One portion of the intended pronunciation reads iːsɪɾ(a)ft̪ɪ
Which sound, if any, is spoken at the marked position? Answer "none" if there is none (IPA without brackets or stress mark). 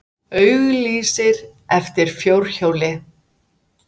ɛ